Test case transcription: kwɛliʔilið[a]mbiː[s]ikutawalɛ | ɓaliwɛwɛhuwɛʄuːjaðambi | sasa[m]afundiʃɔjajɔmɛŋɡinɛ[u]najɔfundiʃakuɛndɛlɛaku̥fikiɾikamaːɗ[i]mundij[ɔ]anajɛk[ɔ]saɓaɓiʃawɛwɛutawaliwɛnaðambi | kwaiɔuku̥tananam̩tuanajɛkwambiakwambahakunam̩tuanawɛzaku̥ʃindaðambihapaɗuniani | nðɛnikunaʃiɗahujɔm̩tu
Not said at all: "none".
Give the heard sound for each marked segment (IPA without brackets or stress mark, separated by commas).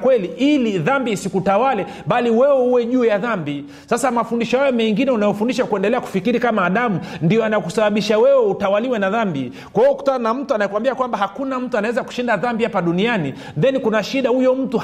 a, s, m, u, a, ɔ, u